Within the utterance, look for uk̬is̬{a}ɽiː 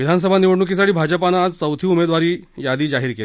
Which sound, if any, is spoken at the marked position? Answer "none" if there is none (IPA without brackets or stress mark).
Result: a